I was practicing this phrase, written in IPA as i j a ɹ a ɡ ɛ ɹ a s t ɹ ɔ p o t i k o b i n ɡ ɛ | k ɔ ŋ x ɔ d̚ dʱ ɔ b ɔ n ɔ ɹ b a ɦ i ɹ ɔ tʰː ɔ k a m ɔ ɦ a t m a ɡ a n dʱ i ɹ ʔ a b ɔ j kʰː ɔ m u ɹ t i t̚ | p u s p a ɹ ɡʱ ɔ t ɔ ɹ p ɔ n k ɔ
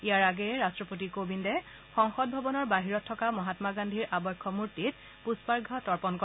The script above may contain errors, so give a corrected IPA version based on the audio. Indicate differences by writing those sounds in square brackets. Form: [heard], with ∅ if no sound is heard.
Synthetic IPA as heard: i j a ɹ a ɡ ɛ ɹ a s t ɹ ɔ p o t i k o b i n [d] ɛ | [x] ɔ ŋ x ɔ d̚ [bʱ] ɔ b ɔ n ɔ ɹ b a ɦ i ɹ ɔ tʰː ɔ k a m ɔ ɦ a t m a ɡ a n dʱ i ɹ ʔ a b ɔ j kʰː ɔ m u ɹ t i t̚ | p u s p a ɹ ɡʱ ɔ t ɔ ɹ p ɔ n k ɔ